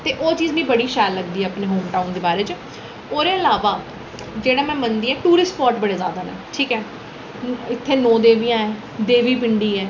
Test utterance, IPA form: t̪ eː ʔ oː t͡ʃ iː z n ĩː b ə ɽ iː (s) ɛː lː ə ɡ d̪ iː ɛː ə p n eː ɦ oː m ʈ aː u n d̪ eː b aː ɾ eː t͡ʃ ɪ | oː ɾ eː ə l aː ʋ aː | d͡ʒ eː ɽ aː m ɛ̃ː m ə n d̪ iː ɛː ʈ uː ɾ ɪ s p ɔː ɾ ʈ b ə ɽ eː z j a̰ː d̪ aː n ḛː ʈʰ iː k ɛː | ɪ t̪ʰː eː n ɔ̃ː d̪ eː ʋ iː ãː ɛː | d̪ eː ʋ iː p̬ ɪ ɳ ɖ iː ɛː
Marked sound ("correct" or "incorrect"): incorrect